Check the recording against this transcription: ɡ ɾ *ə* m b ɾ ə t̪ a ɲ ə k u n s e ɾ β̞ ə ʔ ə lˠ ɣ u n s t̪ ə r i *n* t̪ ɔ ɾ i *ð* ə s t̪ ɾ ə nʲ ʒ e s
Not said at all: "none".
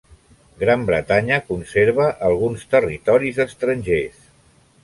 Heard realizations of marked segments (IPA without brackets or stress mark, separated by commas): a, none, z